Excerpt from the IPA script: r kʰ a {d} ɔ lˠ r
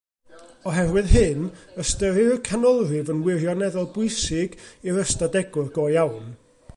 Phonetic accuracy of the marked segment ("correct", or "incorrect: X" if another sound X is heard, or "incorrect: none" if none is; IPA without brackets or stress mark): incorrect: n